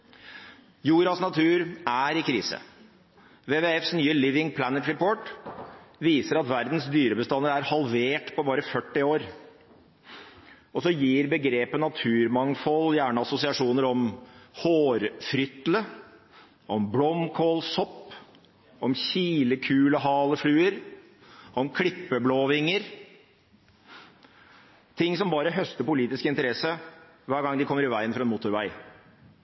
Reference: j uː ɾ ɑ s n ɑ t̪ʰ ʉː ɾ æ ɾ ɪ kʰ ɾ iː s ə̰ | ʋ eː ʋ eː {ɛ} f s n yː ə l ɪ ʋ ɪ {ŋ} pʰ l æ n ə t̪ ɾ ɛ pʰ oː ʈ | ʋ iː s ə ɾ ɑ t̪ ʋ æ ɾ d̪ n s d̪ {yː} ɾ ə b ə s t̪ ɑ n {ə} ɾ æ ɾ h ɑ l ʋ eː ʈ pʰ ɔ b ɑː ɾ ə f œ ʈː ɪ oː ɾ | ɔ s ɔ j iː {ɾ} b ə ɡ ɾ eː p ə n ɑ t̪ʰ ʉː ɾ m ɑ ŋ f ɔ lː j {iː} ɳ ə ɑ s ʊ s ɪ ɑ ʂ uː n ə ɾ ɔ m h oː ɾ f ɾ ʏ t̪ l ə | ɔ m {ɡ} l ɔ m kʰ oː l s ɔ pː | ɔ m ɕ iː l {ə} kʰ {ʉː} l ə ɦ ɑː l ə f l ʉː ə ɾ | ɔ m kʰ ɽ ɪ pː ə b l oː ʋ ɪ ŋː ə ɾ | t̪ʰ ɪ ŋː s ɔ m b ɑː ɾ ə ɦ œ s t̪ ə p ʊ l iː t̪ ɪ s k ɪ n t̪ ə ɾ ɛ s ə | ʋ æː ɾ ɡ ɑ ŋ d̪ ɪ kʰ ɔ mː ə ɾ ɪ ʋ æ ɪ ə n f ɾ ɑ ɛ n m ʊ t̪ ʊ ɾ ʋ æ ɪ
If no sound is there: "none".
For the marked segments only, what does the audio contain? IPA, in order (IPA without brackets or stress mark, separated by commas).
ɛ, ŋ, yː, ə, ɾ, æː, b, ə, ʉː